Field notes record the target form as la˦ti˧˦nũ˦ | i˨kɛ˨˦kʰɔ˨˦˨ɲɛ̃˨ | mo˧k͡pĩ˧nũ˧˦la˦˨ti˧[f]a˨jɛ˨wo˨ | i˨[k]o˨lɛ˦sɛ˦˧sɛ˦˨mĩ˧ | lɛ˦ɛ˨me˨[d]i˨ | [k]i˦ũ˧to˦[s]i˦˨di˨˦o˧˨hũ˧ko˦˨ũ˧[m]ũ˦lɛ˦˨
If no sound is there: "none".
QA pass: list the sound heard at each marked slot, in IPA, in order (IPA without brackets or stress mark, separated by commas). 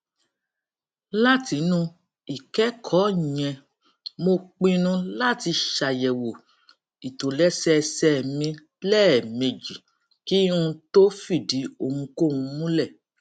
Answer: ʃ, t, d͡ʒ, k, f, m